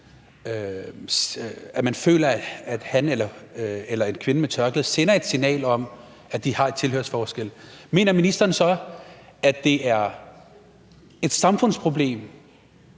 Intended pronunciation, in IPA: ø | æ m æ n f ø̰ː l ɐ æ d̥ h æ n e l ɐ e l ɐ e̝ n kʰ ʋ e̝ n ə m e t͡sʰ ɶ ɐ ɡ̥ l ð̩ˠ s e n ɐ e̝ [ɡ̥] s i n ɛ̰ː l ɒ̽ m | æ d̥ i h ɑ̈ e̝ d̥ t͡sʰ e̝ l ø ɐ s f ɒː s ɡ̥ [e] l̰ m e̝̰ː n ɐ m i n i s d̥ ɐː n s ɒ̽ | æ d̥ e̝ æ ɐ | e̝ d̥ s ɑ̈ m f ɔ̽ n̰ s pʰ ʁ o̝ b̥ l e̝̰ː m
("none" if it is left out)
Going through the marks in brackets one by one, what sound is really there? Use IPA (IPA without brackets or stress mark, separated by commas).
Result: d̥, e